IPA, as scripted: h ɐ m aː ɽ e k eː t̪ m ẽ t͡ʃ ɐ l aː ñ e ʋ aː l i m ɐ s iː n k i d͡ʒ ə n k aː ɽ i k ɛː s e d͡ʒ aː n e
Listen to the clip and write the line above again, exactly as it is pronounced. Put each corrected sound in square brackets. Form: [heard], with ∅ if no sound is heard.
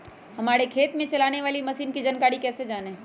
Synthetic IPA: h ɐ m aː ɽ e [kʰ] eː t̪ m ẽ t͡ʃ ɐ l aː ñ e ʋ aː l i m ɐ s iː n k i d͡ʒ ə n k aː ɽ i k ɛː s e d͡ʒ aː n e